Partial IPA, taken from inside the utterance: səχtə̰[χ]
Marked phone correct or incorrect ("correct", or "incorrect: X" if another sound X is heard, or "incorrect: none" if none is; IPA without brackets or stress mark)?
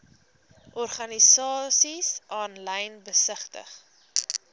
correct